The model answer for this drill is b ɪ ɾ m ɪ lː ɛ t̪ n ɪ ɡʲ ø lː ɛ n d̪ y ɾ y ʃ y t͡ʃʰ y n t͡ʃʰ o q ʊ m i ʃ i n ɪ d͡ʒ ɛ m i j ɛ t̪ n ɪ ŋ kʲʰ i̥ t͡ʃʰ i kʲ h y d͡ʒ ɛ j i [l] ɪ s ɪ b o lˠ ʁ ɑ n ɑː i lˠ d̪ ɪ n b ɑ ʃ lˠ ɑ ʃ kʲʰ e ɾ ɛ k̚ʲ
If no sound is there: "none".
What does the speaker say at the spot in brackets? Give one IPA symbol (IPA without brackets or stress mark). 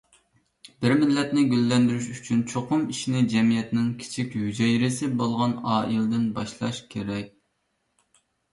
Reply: ɾ